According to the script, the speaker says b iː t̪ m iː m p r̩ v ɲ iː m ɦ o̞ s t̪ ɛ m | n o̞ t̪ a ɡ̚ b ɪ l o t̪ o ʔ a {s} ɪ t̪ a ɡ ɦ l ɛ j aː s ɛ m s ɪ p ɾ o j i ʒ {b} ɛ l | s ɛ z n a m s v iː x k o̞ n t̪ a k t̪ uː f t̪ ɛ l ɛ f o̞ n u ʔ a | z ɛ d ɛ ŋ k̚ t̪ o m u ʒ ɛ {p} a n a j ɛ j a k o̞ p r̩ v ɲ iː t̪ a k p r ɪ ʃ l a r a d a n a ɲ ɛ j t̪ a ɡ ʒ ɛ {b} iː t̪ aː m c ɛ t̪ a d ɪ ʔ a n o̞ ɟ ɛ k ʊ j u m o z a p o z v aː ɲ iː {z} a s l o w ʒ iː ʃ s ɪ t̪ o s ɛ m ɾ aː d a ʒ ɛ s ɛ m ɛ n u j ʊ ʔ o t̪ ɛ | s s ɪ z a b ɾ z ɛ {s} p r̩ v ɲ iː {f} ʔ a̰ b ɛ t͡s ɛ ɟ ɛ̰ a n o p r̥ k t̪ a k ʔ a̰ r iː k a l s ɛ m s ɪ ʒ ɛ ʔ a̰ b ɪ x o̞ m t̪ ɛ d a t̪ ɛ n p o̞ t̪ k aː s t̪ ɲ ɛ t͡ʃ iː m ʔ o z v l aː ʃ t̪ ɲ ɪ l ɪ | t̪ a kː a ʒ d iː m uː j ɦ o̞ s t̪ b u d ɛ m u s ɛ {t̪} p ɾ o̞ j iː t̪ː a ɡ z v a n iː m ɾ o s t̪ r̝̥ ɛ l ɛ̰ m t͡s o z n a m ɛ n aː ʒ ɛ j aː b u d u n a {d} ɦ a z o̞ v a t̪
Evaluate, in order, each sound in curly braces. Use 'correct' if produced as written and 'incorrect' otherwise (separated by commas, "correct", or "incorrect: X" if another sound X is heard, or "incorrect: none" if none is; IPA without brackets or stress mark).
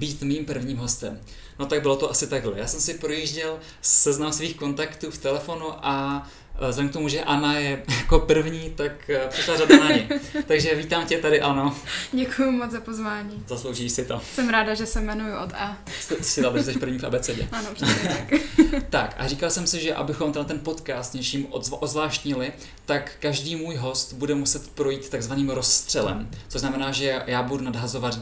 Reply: correct, incorrect: ɟ, incorrect: ʔ, incorrect: v, correct, incorrect: ʃ, correct, correct, correct